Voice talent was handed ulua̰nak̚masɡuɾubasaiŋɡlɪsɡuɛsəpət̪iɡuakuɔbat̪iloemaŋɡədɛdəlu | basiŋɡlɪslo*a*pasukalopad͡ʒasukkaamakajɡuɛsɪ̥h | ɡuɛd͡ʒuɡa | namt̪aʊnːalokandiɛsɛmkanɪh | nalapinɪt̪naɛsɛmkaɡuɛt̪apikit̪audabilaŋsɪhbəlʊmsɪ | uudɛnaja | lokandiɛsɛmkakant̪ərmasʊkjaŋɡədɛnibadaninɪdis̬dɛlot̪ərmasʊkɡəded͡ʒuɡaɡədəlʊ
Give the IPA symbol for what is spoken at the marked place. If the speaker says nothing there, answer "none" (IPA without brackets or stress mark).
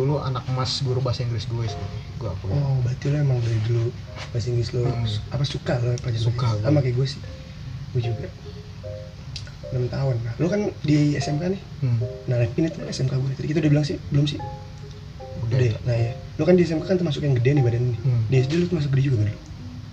a